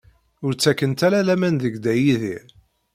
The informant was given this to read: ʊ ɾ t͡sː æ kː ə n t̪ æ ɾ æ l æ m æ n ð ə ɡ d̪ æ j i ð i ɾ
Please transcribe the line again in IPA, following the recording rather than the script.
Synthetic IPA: ʊ ɾ t͡sː æ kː ə n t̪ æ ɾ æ l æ m æ n ð ə ɡ d̪ æ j i ð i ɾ